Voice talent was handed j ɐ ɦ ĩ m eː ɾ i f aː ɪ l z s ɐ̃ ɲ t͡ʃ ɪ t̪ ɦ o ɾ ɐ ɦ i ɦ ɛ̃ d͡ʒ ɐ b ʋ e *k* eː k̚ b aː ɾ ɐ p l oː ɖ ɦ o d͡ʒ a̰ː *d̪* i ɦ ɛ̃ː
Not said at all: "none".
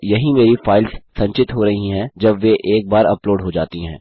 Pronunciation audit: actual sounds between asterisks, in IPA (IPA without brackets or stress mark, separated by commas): ʔ, t̪